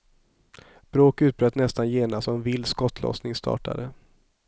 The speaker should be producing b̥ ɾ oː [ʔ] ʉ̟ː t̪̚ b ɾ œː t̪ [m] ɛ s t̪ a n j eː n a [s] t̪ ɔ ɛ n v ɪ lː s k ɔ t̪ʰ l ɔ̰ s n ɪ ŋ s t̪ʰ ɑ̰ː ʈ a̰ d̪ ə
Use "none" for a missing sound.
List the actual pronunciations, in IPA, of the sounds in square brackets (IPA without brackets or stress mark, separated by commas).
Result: k, n, s